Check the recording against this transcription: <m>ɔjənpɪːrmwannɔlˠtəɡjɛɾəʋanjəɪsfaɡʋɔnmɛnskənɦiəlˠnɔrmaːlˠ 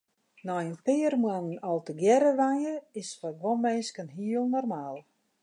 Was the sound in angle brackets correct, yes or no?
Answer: no